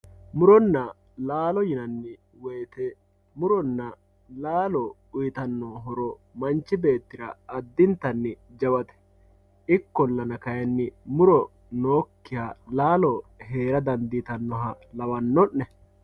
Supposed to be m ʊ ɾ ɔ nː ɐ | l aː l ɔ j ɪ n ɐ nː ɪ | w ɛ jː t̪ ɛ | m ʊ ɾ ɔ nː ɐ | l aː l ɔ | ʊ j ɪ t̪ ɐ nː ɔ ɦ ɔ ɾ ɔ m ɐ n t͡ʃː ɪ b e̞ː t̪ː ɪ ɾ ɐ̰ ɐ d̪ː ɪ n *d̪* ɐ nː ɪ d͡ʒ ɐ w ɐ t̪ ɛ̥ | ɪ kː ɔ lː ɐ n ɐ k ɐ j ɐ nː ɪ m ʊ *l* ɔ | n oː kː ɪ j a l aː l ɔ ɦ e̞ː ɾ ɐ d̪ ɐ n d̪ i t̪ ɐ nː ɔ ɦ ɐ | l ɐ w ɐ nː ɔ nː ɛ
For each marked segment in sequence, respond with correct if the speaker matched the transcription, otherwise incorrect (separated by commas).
incorrect, incorrect